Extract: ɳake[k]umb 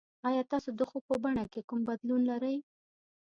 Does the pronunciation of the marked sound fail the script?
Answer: no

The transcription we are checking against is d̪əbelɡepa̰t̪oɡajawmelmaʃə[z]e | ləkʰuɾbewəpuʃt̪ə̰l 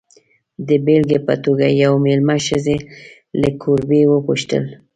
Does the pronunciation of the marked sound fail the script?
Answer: no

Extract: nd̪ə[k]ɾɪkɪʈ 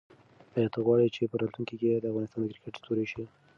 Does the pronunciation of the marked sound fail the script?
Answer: no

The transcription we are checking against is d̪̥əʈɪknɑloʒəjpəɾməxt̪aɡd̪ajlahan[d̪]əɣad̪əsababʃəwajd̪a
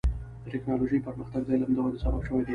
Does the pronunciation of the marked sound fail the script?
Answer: no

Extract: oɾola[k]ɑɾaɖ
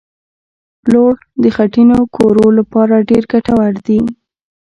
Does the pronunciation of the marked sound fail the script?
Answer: yes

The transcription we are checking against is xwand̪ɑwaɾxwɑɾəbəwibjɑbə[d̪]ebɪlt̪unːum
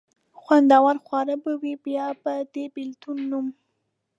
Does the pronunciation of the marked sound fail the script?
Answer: no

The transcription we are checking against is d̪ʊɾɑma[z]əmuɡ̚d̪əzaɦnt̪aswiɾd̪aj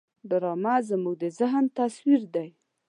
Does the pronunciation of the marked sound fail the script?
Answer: no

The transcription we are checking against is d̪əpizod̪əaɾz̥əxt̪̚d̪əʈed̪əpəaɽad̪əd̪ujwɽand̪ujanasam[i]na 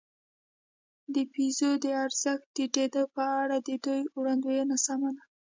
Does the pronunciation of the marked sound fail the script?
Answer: yes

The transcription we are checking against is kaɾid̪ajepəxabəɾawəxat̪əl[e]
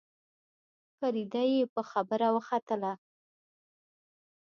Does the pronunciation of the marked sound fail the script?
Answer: yes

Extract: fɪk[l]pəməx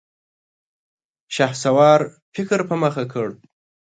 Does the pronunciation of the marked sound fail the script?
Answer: yes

